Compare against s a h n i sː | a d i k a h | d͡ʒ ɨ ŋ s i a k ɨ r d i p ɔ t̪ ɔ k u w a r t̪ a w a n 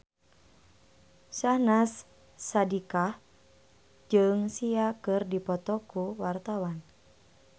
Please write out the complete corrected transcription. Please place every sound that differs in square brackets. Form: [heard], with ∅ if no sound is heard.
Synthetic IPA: s a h n [a] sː | a d i k a h | d͡ʒ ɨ ŋ s i a k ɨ r d i p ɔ t̪ ɔ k u w a r t̪ a w a n